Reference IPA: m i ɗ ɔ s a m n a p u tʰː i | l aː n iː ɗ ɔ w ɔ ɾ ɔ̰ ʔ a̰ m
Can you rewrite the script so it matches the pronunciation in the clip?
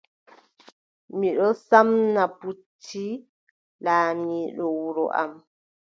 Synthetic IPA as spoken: m i ɗ ɔ s a m n a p u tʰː i | l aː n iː ɗ ɔ w u ɾ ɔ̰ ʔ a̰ m